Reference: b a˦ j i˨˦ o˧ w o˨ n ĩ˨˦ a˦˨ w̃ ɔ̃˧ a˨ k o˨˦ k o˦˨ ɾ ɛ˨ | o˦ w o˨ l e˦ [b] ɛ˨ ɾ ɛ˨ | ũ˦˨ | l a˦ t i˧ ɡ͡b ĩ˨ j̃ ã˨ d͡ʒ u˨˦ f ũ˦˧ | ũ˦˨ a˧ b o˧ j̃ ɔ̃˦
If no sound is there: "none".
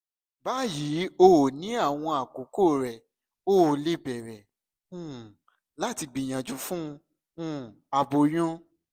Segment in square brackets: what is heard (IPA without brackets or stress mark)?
b